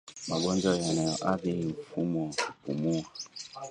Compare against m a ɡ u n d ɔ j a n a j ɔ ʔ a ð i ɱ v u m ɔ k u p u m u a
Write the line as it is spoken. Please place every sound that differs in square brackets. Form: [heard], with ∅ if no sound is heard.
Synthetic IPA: m a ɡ [ɔ] n [d͡ʒ] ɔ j a n a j ɔ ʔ a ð i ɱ [f] u m ɔ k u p u m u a